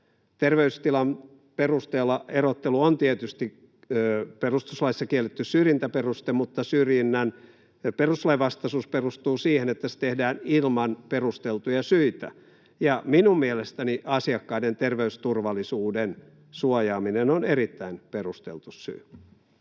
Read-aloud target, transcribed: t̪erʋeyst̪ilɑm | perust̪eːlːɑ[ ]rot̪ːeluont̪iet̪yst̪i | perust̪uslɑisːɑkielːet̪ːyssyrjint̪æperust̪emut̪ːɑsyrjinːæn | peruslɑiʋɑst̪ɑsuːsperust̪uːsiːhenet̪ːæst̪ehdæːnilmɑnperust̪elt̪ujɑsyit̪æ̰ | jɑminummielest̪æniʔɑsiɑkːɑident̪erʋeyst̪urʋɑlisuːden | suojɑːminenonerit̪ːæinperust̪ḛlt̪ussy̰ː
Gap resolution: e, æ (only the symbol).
e